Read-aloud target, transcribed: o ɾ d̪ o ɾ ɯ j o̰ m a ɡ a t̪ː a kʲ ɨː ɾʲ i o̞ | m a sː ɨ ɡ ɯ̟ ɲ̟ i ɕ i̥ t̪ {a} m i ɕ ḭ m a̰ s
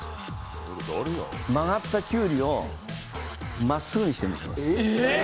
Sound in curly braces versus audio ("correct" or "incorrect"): incorrect